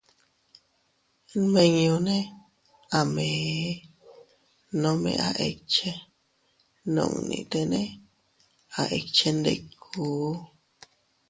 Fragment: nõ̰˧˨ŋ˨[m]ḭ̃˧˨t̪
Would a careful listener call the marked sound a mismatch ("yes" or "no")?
yes